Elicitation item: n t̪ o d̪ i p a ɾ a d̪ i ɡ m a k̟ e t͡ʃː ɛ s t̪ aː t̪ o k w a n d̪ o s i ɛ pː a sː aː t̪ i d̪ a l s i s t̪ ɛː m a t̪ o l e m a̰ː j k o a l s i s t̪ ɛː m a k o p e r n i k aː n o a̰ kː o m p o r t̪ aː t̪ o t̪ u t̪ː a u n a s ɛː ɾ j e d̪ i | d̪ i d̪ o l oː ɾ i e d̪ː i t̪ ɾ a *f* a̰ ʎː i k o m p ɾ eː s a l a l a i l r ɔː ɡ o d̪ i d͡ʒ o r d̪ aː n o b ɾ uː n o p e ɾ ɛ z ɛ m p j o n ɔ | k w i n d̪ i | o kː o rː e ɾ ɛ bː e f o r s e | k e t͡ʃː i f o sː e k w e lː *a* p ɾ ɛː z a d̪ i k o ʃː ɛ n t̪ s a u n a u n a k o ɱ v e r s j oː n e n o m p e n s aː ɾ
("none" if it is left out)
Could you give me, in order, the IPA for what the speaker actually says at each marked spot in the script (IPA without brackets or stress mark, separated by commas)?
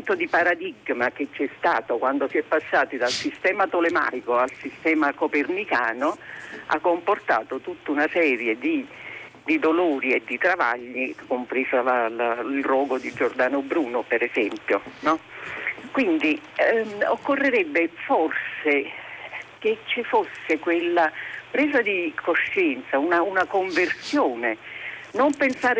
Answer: v, a